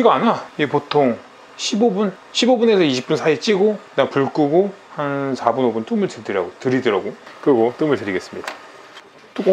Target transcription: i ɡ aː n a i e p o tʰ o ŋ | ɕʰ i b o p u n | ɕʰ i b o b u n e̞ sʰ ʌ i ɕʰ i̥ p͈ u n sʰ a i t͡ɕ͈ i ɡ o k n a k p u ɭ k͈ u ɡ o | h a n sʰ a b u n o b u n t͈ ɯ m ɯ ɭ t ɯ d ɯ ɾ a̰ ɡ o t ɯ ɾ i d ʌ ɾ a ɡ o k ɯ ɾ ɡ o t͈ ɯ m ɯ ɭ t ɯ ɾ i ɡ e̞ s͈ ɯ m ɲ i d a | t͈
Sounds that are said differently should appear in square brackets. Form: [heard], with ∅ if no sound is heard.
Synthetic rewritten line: i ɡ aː n a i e p o tʰ o ŋ | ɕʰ i b o [b] u n | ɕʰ i b o b u n e̞ sʰ ʌ i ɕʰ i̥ p͈ u n sʰ a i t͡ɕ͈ i ɡ o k n a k p u ɭ k͈ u ɡ o | h a n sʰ a b u n o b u n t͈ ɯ m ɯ ɭ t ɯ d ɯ ɾ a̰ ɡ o t ɯ ɾ i d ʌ ɾ a ɡ o k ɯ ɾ ɡ o t͈ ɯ m ɯ ɭ t ɯ ɾ i ɡ e̞ s͈ ɯ m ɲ i d a | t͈